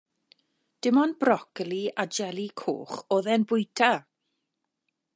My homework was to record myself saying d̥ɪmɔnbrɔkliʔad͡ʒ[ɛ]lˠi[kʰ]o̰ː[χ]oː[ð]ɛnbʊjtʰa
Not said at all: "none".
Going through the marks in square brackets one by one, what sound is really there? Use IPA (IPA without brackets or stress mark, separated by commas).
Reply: ɛ, kʰ, χ, ð